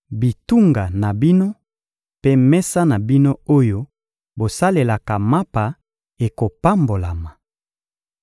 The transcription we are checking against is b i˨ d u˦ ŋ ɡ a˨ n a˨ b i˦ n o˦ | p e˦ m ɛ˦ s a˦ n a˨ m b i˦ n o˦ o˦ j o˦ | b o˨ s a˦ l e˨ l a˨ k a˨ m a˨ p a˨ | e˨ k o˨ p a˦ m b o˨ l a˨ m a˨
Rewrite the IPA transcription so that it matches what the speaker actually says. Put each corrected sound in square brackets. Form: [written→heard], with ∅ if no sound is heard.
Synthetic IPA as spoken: b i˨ [d→t] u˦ ŋ ɡ a˨ n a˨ b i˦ n o˦ | p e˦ m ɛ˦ s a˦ n a˨ [m→∅] b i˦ n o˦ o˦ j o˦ | b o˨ s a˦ l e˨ l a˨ k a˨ m [a˨→a˦] p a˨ | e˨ k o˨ p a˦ m b o˨ l a˨ m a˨